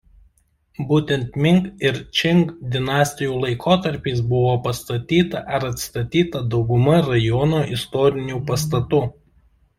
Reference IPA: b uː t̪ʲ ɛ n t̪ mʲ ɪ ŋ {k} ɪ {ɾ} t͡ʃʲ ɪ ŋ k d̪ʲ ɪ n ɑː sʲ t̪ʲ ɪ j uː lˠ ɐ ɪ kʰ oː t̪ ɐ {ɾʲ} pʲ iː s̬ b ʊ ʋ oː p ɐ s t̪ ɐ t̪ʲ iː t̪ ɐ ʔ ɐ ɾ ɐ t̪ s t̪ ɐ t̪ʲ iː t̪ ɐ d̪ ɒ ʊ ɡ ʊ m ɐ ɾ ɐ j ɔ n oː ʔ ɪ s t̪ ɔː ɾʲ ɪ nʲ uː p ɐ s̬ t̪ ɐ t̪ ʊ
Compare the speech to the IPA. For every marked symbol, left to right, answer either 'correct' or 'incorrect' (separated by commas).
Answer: correct, correct, correct